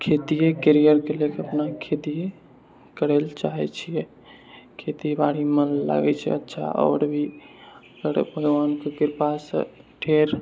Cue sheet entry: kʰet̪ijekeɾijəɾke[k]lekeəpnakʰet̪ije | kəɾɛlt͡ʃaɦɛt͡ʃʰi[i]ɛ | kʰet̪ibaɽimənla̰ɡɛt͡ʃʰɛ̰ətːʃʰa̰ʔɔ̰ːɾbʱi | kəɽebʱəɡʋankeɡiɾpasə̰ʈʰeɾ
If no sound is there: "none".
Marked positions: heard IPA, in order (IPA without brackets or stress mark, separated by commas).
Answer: none, j